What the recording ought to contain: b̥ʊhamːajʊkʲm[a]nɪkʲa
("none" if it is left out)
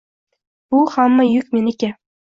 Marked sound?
e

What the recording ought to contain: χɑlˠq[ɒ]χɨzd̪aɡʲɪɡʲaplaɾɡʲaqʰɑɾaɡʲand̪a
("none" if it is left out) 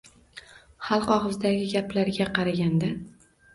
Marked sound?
ɒ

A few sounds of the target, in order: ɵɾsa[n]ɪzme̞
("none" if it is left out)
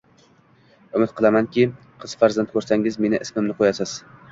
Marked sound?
ŋ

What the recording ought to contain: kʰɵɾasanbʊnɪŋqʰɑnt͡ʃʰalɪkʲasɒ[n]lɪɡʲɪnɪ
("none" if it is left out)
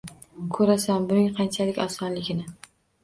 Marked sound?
n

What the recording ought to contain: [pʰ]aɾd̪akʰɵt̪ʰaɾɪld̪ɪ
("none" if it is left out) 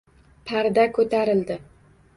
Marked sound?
pʰ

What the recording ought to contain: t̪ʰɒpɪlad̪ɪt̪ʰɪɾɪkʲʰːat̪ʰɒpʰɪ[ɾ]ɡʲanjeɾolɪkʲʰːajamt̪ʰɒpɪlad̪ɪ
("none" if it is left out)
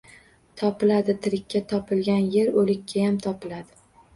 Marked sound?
l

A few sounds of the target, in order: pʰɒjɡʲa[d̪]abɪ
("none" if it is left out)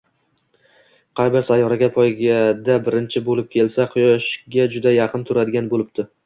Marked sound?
d̪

